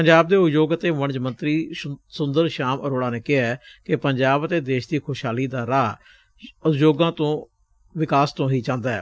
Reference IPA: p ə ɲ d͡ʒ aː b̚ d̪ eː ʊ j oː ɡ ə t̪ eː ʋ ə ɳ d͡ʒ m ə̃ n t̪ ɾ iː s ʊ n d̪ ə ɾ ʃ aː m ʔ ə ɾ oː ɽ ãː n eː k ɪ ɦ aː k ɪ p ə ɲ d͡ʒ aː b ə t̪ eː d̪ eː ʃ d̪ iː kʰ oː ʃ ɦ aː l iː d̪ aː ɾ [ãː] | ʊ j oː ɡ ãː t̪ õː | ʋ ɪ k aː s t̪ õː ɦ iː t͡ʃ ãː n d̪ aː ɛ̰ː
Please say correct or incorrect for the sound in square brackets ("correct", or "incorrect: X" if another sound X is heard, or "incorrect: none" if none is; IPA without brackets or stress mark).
incorrect: aː